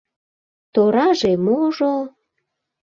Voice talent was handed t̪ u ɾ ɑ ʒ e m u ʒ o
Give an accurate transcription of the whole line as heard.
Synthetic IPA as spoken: t̪ o ɾ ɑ ʒ e m o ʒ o